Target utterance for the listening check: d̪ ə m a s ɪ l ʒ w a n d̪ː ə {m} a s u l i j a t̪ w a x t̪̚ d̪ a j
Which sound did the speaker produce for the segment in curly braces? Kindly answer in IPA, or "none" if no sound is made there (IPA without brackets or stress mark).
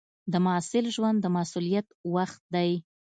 m